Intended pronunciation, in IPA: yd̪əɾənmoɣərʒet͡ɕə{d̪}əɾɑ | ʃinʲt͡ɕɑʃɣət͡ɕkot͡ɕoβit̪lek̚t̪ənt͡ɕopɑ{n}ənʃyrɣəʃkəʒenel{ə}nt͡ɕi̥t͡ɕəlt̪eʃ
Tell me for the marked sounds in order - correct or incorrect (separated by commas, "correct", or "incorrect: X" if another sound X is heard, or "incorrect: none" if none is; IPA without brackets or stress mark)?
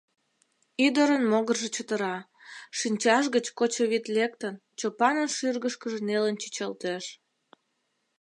incorrect: t̪, correct, correct